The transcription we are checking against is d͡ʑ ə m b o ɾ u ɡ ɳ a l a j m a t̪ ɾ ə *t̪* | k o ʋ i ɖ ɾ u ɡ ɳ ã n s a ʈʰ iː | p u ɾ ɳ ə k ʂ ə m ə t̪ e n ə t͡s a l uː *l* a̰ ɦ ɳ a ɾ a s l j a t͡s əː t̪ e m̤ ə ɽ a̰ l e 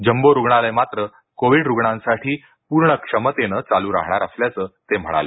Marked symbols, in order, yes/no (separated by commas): no, no